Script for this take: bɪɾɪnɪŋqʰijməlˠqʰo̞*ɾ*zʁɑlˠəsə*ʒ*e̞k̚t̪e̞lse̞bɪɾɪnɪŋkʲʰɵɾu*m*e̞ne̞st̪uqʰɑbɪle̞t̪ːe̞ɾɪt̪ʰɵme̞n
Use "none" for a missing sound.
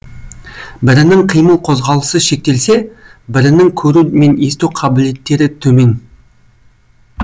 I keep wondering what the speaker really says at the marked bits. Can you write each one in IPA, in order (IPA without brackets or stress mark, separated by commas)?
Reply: none, ʃ, m